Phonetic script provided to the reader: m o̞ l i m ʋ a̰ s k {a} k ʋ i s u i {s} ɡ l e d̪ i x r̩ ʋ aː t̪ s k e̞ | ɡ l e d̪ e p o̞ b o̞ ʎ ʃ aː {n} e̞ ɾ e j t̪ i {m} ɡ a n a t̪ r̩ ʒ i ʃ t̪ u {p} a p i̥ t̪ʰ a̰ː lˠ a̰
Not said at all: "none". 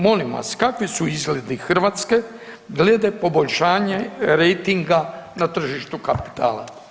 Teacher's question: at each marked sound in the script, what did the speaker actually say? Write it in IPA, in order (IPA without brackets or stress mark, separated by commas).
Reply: a, z, ɲ, ŋ, k